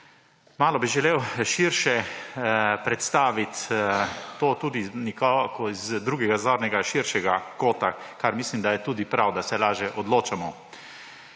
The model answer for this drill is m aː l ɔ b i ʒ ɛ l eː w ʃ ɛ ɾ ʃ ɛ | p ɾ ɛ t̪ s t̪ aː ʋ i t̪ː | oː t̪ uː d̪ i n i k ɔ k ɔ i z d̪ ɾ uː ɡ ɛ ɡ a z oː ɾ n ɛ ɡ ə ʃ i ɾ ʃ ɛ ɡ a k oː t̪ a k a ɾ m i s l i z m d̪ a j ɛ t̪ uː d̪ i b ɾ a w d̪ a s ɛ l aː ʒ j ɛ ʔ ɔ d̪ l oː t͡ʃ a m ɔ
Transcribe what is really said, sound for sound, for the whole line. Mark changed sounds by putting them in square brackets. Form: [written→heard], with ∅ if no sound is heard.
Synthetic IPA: m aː l ɔ b i ʒ ɛ l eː w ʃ [ɛ→i] ɾ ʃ ɛ | p ɾ ɛ t̪ s t̪ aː ʋ i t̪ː | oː t̪ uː d̪ i n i k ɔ k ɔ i z d̪ ɾ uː ɡ ɛ ɡ a z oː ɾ n ɛ ɡ [ə→a] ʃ i ɾ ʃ ɛ ɡ a k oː t̪ a k a ɾ m i s l i [z→∅] m d̪ a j ɛ t̪ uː d̪ i [b→p] ɾ a w d̪ a s ɛ l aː ʒ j ɛ ʔ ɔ d̪ l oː t͡ʃ a m ɔ